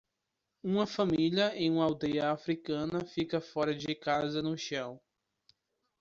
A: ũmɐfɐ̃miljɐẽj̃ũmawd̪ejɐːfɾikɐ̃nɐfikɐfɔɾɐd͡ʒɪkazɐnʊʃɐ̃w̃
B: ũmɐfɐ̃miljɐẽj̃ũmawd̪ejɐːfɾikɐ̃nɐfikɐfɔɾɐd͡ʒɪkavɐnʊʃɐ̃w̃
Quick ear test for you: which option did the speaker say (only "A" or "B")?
A